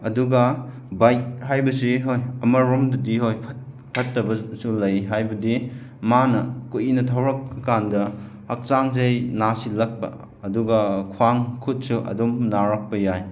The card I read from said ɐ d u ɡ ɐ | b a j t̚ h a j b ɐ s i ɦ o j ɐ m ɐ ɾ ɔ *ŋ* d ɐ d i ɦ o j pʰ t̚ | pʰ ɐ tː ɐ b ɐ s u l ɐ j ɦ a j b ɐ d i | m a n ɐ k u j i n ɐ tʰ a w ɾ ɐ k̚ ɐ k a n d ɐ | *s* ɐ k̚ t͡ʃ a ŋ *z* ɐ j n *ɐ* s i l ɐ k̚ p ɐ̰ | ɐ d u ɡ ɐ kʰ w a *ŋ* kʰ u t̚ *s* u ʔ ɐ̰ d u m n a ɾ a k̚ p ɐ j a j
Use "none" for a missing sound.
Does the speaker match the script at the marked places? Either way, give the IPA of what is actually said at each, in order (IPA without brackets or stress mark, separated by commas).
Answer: m, h, z, a, ŋ, s